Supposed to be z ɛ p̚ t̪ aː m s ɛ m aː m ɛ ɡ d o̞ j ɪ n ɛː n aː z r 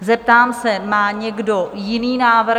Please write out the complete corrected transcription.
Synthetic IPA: z ɛ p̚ t̪ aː m s ɛ m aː ɲ ɛ ɡ d o̞ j ɪ n iː n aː v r